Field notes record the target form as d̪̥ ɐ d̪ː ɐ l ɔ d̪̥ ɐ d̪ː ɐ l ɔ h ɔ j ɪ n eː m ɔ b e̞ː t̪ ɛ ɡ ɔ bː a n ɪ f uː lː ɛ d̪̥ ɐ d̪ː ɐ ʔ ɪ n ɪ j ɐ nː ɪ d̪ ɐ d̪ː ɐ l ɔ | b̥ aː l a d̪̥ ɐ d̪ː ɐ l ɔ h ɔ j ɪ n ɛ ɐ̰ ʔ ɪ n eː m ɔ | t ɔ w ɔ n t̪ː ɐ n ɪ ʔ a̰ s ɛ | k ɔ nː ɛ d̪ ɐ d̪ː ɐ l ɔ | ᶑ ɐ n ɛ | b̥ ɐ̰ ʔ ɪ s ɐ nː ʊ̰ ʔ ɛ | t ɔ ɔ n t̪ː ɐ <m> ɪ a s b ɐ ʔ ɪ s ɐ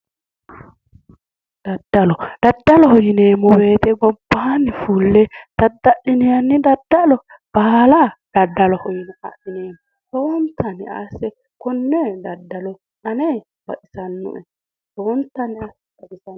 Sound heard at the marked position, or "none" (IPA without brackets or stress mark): n